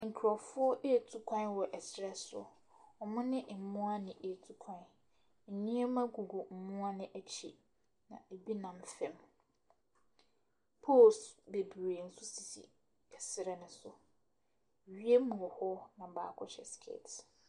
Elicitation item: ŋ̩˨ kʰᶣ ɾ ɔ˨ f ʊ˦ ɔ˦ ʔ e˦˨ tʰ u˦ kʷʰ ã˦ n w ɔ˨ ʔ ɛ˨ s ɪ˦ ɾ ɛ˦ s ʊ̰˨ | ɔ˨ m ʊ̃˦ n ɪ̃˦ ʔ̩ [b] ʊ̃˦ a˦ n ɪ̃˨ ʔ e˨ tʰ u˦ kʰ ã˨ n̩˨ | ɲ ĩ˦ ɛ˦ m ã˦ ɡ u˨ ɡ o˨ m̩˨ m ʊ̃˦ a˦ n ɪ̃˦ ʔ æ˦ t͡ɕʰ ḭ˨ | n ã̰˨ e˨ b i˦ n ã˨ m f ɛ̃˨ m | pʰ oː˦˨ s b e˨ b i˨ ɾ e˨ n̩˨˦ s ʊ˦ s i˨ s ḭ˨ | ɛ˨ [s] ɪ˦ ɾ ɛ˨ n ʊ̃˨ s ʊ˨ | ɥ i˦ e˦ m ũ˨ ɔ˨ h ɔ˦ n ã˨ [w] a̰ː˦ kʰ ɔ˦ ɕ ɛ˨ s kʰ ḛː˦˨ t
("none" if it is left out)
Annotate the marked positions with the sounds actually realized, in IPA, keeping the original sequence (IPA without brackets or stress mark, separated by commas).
m, s, b